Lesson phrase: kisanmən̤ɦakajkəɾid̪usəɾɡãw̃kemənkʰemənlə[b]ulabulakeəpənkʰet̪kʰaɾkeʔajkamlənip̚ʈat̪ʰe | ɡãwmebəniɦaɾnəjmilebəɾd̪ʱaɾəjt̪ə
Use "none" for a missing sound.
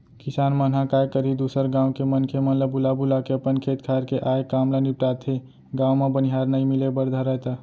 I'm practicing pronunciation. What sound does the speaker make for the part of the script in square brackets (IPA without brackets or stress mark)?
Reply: b